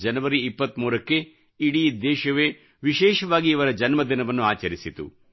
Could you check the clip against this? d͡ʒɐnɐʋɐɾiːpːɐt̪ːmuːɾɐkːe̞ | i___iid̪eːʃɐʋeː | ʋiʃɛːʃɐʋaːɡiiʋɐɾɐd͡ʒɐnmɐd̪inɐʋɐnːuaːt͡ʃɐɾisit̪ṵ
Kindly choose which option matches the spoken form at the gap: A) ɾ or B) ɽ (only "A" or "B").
B